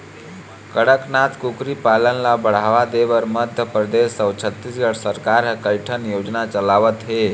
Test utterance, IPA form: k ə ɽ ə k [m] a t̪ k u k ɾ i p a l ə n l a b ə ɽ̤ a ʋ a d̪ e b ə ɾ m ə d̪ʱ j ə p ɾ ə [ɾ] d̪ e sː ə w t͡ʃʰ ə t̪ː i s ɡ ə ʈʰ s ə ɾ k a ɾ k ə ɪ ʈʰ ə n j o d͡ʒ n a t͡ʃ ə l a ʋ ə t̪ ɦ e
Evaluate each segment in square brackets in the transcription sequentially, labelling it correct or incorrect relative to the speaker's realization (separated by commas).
incorrect, incorrect